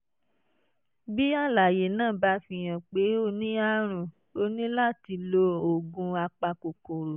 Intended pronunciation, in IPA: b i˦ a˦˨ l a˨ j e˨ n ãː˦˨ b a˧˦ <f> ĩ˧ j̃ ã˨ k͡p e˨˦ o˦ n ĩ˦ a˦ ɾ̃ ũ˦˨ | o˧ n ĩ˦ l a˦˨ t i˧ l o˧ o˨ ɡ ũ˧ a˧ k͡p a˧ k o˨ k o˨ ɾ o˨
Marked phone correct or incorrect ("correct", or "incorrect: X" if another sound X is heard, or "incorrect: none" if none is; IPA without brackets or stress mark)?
correct